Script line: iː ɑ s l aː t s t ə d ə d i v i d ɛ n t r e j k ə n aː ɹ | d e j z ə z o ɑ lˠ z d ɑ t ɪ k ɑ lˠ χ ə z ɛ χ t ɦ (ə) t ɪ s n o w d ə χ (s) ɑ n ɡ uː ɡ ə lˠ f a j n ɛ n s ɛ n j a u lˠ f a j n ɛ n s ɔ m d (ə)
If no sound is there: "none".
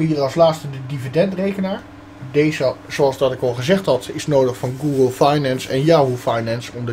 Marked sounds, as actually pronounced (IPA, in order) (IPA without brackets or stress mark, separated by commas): ɑ, f, ə